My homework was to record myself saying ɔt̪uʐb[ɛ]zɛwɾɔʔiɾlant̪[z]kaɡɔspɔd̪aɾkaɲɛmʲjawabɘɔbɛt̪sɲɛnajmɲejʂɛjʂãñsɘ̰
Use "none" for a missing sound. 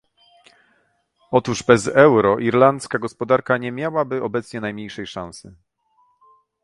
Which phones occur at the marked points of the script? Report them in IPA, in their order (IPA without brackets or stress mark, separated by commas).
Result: ɛ, s